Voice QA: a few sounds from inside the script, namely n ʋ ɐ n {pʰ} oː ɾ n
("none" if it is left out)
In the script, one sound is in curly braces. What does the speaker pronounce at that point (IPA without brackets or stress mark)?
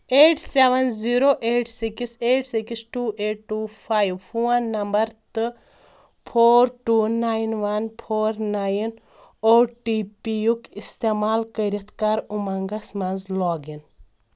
pʰ